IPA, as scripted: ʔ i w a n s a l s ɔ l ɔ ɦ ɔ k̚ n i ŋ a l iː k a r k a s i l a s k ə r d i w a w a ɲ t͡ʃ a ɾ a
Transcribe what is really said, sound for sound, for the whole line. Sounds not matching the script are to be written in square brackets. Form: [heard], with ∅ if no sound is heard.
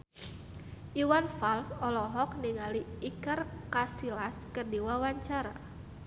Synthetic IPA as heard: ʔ i w a n [f] a l s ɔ l ɔ ɦ ɔ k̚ n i ŋ a l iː k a r k a s i l a s k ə r d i w a w a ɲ t͡ʃ a ɾ a